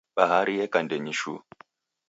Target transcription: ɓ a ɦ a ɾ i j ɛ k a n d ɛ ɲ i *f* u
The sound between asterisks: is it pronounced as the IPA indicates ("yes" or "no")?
no